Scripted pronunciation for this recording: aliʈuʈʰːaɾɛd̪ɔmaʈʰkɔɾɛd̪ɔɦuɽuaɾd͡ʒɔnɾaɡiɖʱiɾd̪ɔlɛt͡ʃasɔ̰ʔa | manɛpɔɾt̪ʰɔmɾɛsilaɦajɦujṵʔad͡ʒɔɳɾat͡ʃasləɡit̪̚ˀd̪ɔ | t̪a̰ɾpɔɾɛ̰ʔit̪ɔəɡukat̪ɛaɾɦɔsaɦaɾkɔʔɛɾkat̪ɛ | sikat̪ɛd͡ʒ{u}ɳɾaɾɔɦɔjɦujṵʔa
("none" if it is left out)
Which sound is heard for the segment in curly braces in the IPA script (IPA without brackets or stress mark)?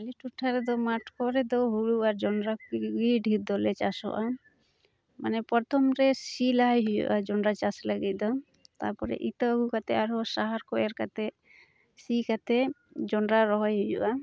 ɔ